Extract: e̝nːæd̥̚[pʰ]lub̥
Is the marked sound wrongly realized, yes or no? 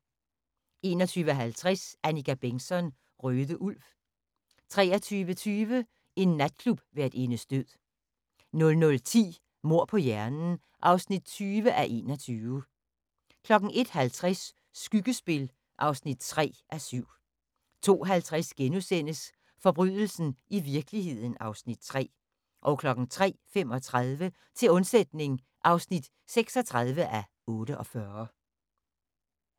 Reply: yes